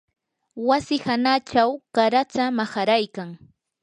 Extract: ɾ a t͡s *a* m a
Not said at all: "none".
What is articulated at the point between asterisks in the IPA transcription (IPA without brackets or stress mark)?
a